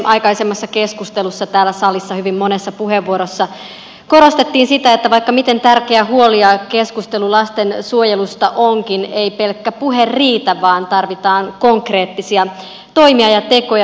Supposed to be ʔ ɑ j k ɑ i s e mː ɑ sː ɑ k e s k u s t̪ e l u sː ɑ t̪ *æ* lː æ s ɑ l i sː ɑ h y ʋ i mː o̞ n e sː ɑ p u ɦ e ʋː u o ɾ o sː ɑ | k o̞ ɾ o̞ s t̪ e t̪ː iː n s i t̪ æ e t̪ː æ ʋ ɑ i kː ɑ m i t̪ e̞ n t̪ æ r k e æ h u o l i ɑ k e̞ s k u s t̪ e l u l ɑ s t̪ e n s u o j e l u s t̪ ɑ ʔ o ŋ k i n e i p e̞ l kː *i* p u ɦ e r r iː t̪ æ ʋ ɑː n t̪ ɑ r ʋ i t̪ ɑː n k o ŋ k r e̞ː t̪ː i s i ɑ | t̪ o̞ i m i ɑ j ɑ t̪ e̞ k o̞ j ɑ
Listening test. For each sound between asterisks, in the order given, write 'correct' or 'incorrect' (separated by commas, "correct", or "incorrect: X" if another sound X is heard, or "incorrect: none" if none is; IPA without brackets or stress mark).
incorrect: æː, incorrect: æ